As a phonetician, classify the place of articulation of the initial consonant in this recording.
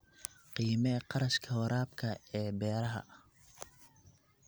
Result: uvular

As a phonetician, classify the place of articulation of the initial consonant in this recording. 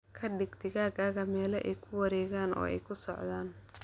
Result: velar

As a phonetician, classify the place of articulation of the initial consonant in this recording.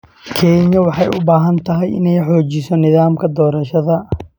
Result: velar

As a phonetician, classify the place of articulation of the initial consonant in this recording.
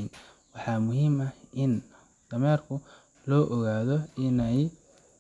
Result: alveolar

